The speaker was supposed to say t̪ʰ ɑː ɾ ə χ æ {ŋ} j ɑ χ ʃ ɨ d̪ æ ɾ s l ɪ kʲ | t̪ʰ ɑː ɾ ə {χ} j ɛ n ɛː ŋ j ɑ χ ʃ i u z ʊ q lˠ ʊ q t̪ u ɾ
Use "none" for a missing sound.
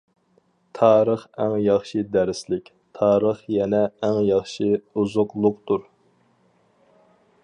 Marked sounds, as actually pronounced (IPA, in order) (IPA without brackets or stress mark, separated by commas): ŋ, χ